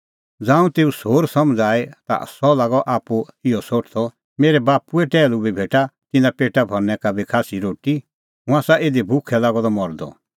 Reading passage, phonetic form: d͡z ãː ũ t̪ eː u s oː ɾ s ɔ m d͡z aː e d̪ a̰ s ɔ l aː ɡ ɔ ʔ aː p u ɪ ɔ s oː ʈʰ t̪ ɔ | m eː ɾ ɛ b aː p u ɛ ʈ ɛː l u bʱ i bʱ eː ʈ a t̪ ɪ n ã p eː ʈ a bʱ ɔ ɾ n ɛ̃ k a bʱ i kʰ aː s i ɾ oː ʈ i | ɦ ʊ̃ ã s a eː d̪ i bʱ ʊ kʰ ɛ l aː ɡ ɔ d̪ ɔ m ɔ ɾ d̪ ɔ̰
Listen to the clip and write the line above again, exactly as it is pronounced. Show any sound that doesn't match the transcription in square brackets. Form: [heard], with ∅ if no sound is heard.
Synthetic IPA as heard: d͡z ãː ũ t̪ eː u s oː ɾ s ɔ m d͡z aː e [t̪] a̰ s ɔ l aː ɡ ɔ ʔ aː p u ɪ ɔ s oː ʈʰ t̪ ɔ | m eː ɾ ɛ b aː p u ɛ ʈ ɛː l u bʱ i bʱ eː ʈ a t̪ ɪ n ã p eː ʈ a bʱ ɔ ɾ n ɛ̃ k a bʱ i kʰ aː s i ɾ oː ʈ i | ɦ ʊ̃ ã s a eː d̪ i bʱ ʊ kʰ ɛ l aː ɡ ɔ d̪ ɔ m ɔ ɾ d̪ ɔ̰